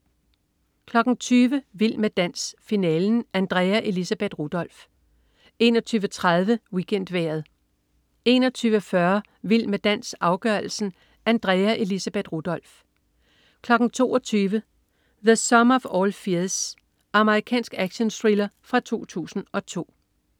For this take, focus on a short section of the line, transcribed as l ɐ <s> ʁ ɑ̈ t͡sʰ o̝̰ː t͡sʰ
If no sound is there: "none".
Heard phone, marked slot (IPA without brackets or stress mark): f